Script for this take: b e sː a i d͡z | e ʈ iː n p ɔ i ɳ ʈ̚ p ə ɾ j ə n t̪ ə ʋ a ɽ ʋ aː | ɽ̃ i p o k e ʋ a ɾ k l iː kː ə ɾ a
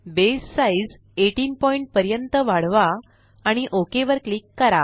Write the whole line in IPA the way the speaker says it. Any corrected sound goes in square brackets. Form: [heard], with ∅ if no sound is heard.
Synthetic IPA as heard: b e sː a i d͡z | e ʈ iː n p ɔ i ɳ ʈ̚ p ə ɾ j ə n t̪ ə ʋ a ɽ ʋ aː | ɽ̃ i [ʔ] o k e ʋ [ə] ɾ k l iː kː ə ɾ a